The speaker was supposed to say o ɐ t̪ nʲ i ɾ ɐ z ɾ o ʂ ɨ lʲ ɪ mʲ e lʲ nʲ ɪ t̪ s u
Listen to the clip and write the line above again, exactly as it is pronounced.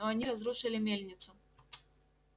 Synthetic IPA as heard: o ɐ nʲ i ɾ ɐ z ɾ u ʂ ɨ lʲ ɪ mʲ e lʲ nʲ ɪ t̪ s ʊ